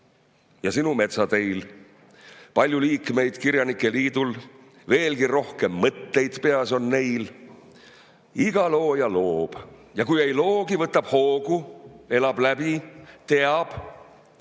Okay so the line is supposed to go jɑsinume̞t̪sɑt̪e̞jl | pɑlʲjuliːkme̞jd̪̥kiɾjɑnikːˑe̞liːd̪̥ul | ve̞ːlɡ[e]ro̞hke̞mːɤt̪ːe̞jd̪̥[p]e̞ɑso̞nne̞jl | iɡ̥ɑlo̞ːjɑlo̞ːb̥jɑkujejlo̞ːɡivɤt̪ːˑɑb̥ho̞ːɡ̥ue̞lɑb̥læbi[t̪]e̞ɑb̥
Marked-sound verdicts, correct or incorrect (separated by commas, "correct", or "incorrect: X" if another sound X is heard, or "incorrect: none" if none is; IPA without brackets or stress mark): incorrect: i, correct, correct